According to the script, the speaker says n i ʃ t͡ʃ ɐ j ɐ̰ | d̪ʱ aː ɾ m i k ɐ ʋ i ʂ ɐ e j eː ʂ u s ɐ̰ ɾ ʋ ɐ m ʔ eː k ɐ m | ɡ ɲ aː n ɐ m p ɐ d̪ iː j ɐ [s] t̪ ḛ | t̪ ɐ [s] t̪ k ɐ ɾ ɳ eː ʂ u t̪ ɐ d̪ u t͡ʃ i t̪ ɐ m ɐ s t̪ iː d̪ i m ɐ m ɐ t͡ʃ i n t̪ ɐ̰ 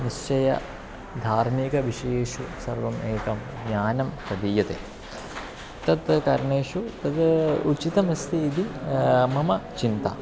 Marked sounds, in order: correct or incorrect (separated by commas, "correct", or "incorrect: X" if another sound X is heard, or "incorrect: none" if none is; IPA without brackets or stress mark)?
incorrect: none, incorrect: none